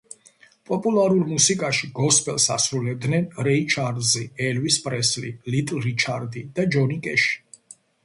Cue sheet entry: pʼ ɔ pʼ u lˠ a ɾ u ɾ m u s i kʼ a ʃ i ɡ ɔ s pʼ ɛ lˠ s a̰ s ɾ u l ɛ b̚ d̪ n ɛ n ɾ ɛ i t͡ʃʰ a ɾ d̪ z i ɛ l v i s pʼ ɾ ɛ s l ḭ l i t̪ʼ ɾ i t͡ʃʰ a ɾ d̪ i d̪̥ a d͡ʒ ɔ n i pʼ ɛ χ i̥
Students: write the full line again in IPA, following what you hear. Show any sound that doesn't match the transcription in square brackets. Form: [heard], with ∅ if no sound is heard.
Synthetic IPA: pʼ ɔ pʼ u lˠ a ɾ u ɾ m u s i kʼ a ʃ i ɡ ɔ s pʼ ɛ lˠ s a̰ s ɾ u l ɛ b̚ d̪ n ɛ n ɾ ɛ i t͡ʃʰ a ɾ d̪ z i ɛ l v i s pʼ ɾ ɛ s l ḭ l i t̪ʼ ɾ i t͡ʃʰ a ɾ d̪ i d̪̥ a d͡ʒ ɔ n i [kʼ] ɛ [ʃ] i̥

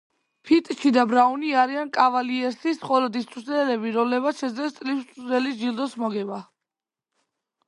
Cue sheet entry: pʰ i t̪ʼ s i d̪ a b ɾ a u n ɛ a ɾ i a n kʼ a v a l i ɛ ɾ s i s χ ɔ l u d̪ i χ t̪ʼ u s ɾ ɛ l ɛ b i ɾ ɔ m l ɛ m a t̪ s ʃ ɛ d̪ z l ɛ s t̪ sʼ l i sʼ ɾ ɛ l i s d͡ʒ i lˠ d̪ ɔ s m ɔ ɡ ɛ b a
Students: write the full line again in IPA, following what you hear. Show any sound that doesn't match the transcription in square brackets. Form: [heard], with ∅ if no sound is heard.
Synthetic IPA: pʰ i t̪ʼ [ʃ] i d̪ a b ɾ a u n [i] a ɾ i a n kʼ a v a l i ɛ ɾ s i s χ ɔ l [ɔ] d̪ i [s] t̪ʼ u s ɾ ɛ l ɛ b i ɾ ɔ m l ɛ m a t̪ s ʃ ɛ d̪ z l ɛ s t̪ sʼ l i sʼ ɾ ɛ l i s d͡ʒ i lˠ d̪ ɔ s m ɔ ɡ ɛ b a

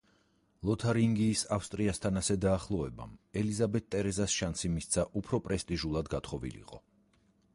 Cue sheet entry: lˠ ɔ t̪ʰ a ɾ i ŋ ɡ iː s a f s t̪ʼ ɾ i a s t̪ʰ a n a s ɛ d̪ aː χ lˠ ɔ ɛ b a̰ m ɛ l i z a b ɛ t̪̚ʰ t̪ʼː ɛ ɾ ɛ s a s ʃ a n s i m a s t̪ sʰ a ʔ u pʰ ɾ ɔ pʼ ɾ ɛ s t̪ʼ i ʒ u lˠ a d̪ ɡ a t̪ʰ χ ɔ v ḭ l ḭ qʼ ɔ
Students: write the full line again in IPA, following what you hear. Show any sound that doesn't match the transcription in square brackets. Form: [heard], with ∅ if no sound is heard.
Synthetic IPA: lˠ ɔ t̪ʰ a ɾ i ŋ ɡ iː s a f s t̪ʼ ɾ i a s t̪ʰ a n a s ɛ d̪ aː χ lˠ ɔ ɛ b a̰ m ɛ l i z a b ɛ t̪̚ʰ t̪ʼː ɛ ɾ ɛ [z] a s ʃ a n s i m [i] s t̪ sʰ a ʔ u pʰ ɾ ɔ pʼ ɾ ɛ s t̪ʼ i ʒ u lˠ a d̪ ɡ a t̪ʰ χ ɔ v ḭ l ḭ qʼ ɔ

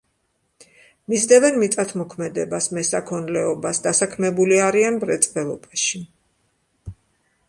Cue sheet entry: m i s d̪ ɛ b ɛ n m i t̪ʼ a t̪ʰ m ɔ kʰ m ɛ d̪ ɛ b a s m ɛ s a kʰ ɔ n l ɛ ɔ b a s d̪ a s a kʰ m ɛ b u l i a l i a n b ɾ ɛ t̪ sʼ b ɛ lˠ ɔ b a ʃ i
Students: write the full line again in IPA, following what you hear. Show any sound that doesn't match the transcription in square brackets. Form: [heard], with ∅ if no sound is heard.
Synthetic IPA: m i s d̪ ɛ [v] ɛ n m i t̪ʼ a t̪ʰ m ɔ kʰ m ɛ d̪ ɛ b a s m ɛ s a kʰ ɔ n l ɛ ɔ b a s d̪ a s a kʰ m ɛ b u l i a [ɾ] i a n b ɾ ɛ t̪ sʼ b ɛ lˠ ɔ b a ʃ i

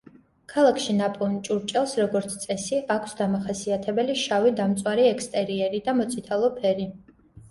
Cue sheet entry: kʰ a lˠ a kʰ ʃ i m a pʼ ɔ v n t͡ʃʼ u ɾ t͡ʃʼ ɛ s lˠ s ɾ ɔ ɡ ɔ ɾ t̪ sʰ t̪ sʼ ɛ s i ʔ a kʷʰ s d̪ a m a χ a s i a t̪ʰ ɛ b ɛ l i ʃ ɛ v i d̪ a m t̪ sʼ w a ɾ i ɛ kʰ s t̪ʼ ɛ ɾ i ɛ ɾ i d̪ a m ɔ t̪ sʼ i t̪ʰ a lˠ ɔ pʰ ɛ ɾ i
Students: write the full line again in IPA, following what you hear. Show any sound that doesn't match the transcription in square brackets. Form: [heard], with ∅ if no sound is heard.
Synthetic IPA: kʰ a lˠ a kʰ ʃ i [n] a pʼ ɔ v n t͡ʃʼ u ɾ t͡ʃʼ ɛ [∅] lˠ s ɾ ɔ ɡ ɔ ɾ t̪ sʰ t̪ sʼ ɛ s i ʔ a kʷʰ s d̪ a m a χ a s i a t̪ʰ ɛ b ɛ l i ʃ [a] v i d̪ a m t̪ sʼ w a ɾ i ɛ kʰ s t̪ʼ ɛ ɾ i ɛ ɾ i d̪ a m ɔ t̪ sʼ i t̪ʰ a lˠ ɔ pʰ ɛ ɾ i

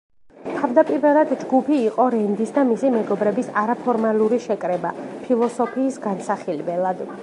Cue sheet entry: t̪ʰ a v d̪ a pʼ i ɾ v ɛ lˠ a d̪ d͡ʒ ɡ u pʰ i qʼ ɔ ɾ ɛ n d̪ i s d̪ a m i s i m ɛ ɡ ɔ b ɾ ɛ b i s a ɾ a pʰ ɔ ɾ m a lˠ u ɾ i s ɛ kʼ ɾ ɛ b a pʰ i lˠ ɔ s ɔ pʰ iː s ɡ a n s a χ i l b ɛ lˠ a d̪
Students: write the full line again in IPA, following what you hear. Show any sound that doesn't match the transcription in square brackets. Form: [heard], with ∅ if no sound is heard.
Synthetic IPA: t̪ʰ a v d̪ a pʼ i ɾ v ɛ lˠ a d̪ d͡ʒ ɡ u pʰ [iː] qʼ ɔ ɾ ɛ n d̪ i s d̪ a m i s i m ɛ ɡ ɔ b ɾ ɛ b i s a ɾ a pʰ ɔ ɾ m a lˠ u ɾ i [ʃ] ɛ kʼ ɾ ɛ b a pʰ i lˠ ɔ s ɔ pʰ iː s ɡ a n s a χ i l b ɛ lˠ a d̪

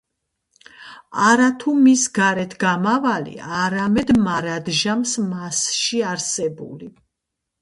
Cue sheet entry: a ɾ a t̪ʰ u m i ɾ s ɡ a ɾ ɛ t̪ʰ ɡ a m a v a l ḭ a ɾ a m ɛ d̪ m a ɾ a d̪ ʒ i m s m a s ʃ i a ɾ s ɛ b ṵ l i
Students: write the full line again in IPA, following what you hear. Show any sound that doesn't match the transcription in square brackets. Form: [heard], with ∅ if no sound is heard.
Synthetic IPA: a ɾ a t̪ʰ u m i [∅] s ɡ a ɾ ɛ t̪ʰ ɡ a m a v a l ḭ a ɾ a m ɛ d̪ m a ɾ a d̪ ʒ [a] m s m a s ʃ i a ɾ s ɛ b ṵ l i

